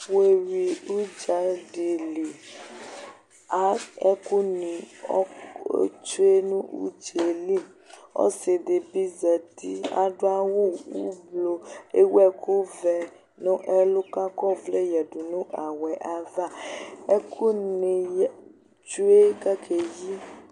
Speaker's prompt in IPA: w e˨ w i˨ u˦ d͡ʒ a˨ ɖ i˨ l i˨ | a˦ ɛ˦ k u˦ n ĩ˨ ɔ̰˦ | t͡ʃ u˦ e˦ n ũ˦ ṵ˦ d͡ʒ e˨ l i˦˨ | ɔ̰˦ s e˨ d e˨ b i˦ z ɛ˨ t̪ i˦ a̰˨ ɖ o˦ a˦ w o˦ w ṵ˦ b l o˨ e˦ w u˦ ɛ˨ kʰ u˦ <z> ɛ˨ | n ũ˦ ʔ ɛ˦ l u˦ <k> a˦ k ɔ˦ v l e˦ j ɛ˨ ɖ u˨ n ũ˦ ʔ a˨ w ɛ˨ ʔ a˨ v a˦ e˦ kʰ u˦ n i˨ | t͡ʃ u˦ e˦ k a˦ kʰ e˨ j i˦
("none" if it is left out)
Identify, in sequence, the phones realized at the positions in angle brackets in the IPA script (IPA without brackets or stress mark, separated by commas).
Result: v, k